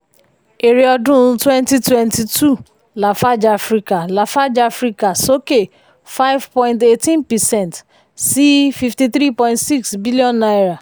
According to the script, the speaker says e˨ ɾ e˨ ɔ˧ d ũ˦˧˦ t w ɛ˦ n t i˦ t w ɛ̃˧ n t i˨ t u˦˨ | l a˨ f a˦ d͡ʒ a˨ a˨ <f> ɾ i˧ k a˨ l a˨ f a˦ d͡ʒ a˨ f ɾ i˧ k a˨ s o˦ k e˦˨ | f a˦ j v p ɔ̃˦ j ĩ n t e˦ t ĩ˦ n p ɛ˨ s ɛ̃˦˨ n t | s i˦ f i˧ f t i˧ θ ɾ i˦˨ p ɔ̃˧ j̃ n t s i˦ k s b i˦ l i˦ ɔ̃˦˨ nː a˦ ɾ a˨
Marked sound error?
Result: no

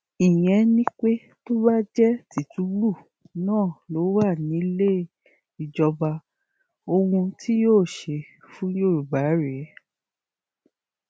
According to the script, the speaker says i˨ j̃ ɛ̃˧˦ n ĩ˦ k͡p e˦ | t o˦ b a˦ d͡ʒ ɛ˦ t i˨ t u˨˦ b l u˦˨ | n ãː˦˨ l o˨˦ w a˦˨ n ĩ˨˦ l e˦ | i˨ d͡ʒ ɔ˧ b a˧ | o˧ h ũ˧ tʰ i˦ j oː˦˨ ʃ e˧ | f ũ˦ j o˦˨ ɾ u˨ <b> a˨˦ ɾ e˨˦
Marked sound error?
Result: no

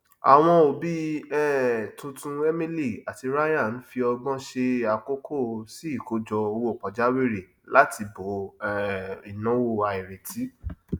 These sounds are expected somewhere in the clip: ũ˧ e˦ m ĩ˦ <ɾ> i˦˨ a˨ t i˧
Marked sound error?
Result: yes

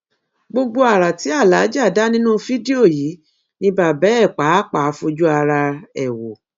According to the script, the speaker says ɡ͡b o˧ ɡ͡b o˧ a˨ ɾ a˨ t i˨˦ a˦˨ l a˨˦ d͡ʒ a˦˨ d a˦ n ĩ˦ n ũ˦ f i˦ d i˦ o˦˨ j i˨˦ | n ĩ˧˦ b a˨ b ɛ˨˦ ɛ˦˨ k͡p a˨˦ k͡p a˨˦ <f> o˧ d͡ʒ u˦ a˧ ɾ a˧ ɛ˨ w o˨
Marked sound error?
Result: no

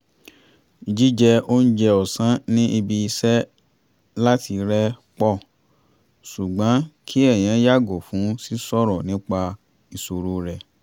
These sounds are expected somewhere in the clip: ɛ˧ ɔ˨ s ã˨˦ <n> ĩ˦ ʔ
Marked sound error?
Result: no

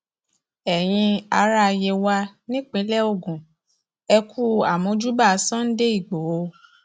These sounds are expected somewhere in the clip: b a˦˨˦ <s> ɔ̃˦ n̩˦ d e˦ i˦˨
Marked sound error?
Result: no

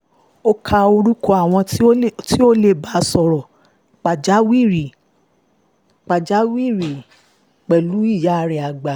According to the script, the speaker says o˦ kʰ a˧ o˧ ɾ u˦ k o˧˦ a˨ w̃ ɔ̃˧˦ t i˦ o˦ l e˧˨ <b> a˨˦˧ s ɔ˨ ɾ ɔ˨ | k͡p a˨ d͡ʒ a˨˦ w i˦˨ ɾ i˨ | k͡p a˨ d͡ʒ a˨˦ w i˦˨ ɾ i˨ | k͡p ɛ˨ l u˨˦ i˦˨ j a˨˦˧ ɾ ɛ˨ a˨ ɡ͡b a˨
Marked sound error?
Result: no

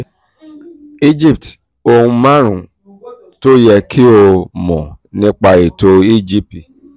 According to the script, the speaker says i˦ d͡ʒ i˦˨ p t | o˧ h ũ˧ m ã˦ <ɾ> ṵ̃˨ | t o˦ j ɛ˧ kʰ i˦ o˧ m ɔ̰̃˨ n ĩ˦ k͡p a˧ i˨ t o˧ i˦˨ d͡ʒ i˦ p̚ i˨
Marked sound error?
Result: no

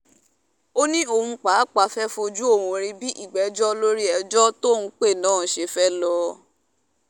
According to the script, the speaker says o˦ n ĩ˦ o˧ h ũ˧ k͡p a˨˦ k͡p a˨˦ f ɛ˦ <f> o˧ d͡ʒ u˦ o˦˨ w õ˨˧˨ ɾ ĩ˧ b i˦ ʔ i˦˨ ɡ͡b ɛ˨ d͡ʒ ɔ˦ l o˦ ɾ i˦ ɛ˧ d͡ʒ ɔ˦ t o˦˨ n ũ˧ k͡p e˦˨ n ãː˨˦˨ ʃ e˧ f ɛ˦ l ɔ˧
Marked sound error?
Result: no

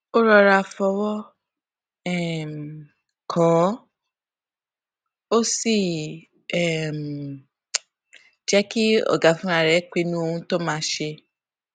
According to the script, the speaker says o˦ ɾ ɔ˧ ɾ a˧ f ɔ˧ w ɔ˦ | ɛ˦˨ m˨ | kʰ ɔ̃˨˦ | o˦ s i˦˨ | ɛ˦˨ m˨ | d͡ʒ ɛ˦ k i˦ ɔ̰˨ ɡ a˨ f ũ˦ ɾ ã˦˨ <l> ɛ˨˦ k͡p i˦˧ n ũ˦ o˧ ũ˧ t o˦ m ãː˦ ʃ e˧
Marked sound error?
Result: yes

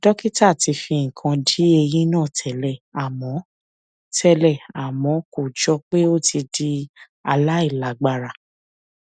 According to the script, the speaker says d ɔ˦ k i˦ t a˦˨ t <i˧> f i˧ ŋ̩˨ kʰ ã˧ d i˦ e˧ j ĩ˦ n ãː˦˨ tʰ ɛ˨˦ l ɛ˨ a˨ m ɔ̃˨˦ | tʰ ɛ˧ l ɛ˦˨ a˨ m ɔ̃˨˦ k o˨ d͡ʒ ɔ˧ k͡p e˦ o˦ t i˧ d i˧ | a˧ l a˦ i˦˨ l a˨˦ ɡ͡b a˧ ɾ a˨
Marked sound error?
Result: no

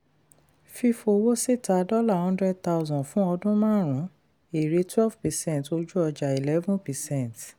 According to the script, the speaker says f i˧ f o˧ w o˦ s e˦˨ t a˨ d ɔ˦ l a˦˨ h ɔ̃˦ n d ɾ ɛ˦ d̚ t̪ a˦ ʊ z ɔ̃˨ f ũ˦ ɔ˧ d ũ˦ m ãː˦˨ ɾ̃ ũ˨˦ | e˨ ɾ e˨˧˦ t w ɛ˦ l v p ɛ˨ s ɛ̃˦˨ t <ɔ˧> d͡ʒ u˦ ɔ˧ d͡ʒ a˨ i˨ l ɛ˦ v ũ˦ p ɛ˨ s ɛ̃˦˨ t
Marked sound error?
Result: yes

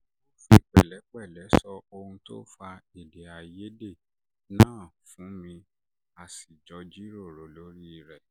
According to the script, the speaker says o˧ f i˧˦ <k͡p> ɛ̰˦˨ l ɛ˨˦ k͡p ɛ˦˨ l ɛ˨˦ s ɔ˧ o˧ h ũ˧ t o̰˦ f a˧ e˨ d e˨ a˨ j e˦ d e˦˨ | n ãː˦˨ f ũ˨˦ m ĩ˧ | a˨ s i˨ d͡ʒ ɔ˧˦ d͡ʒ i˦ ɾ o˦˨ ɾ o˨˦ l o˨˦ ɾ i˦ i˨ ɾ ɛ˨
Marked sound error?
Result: no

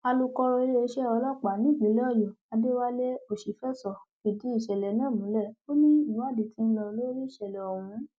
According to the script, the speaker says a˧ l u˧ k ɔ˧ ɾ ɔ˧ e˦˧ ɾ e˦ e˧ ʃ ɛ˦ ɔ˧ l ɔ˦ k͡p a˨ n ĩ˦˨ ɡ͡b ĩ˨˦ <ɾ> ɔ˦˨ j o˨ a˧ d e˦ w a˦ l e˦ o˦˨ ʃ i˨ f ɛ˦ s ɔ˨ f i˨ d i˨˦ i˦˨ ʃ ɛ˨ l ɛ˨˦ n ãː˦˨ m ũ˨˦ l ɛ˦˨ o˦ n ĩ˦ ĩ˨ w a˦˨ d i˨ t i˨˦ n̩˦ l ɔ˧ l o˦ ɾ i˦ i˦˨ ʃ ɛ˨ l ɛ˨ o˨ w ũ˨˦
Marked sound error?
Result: yes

